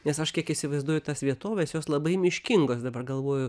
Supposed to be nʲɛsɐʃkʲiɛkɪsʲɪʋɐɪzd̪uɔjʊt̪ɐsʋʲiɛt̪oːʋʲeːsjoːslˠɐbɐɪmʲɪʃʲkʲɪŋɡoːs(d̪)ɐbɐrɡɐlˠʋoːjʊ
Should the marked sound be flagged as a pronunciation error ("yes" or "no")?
no